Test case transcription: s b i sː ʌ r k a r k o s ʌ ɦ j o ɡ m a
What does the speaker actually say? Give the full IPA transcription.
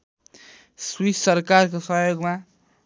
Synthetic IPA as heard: s w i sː ʌ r k a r k o s ʌ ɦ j o ɡ m a